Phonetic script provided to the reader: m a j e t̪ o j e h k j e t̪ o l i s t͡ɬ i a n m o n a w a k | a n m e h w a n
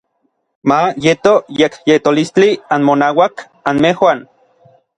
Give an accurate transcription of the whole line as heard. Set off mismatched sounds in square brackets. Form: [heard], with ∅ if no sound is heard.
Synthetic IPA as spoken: m a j e t̪ o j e [∅] k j e t̪ o l i s t͡ɬ i a n m o n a w a k | a n m e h w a n